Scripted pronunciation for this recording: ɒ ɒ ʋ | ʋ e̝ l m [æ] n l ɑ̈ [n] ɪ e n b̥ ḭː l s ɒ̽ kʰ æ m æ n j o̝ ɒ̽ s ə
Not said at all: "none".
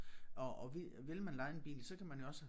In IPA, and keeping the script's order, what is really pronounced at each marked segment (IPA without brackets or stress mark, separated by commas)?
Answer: æ, none